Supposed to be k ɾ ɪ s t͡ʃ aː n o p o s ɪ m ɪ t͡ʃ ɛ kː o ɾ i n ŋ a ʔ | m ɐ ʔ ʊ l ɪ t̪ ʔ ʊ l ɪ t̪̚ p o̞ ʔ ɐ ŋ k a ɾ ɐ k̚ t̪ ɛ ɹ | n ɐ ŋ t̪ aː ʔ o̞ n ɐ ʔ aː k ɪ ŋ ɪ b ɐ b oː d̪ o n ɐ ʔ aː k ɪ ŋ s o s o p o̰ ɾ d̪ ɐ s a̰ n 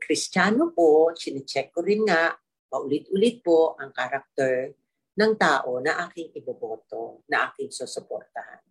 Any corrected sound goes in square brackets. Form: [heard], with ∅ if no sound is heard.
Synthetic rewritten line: k ɾ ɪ s t͡ʃ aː n o p o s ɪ [n] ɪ t͡ʃ ɛ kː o ɾ [ɪ] n ŋ a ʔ | m ɐ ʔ ʊ l ɪ t̪ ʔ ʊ l ɪ t̪̚ p o̞ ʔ ɐ ŋ k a ɾ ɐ k̚ t̪ ɛ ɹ | n ɐ ŋ t̪ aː ʔ o̞ n ɐ ʔ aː k ɪ ŋ ɪ b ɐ b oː [t̪] o n ɐ ʔ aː k ɪ ŋ s o s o p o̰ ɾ [t̪] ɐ [h] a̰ n